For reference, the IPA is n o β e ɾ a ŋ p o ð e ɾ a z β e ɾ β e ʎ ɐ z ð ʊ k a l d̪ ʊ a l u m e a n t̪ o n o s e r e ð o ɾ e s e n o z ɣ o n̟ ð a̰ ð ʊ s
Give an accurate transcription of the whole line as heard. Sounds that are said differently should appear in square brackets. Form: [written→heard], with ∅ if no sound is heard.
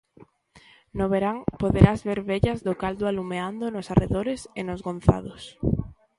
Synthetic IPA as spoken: n o β e ɾ a ŋ p o ð e ɾ a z β e ɾ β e ʎ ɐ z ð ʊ k a l d̪ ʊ a l u m e a n [t̪→d̪] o n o s [e→a] r e ð o ɾ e s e n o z ɣ o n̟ [ð→θ] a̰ ð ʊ s